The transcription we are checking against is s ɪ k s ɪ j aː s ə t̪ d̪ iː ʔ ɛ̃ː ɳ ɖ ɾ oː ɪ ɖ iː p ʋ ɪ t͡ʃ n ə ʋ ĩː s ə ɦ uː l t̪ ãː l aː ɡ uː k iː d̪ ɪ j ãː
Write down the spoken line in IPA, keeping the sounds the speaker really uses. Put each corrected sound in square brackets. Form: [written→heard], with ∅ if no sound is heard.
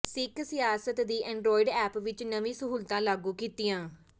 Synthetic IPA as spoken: s ɪ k s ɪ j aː s ə t̪ d̪ iː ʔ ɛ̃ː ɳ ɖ ɾ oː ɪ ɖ [iː→ɛː] p ʋ ɪ t͡ʃ n ə ʋ ĩː s ə ɦ uː l t̪ ãː l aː ɡ uː k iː [d̪→t̪] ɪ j ãː